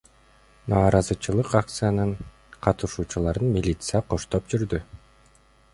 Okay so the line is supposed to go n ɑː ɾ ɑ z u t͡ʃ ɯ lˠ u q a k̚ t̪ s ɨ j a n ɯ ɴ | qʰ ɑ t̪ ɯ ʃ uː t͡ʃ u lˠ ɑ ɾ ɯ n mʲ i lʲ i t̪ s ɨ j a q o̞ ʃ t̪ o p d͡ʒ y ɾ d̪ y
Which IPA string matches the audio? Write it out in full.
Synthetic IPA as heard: n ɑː ɾ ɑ z ɯ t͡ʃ ɯ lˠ ɯ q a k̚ t̪ s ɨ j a n ɯ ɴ | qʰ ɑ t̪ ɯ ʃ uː t͡ʃ u lˠ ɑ ɾ ɯ n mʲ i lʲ i t̪ s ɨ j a q o̞ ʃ t̪ o p d͡ʒ y ɾ d̪ y